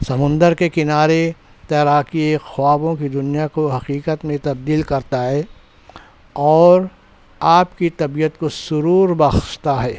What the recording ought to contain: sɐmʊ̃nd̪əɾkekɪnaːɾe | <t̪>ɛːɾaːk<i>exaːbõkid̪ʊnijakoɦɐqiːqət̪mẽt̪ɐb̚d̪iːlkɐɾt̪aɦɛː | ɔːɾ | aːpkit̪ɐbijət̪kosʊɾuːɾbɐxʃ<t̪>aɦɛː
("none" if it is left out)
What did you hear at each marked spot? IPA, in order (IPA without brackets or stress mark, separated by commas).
t̪, i, t̪